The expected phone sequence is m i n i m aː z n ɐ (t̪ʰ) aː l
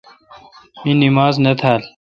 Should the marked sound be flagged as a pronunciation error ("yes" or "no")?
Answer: no